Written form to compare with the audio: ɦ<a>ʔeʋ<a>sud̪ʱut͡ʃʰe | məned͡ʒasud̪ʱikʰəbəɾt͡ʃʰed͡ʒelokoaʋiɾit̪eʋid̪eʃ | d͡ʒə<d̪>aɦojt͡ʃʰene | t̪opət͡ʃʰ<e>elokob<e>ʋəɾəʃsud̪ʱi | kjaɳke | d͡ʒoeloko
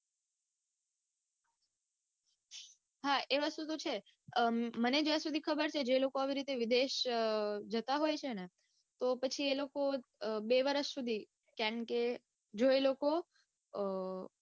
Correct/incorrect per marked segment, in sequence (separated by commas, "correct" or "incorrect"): correct, correct, incorrect, incorrect, correct